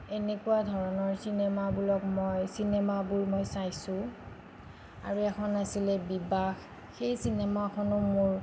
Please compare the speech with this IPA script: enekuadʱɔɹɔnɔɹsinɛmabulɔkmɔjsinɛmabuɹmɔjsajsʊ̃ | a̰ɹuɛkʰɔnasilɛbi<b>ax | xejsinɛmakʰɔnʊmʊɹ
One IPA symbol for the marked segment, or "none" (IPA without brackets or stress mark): b